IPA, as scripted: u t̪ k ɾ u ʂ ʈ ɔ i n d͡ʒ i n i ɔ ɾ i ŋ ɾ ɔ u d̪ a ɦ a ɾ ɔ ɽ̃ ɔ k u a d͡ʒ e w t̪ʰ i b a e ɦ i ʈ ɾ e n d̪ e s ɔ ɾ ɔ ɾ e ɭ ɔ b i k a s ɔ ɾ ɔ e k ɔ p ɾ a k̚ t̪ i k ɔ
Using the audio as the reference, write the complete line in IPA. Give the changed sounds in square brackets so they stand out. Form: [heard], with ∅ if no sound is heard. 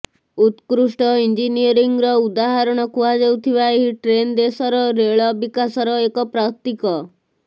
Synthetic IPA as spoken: u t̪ k ɾ u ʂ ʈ ɔ i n d͡ʒ i n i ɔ ɾ i ŋ ɾ ɔ u d̪ a ɦ a ɾ ɔ ɽ̃ ɔ k u a d͡ʒ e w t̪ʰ i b a e ɦ i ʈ ɾ e n d̪ e s ɔ ɾ ɔ ɾ e ɭ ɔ b i k a s ɔ ɾ ɔ e k ɔ p ɾ a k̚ t̪ i k ɔ